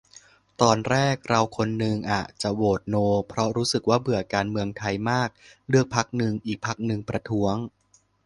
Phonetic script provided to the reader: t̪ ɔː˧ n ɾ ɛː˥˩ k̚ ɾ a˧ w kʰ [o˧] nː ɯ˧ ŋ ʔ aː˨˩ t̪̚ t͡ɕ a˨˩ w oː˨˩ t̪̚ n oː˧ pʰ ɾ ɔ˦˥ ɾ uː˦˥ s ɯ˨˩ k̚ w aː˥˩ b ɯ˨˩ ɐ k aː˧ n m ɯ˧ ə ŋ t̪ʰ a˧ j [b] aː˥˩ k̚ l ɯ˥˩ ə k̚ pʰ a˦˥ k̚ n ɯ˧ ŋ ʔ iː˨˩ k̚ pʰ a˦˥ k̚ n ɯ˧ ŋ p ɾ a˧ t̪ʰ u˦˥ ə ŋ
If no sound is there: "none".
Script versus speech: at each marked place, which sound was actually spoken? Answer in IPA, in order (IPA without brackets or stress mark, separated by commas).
o˧, m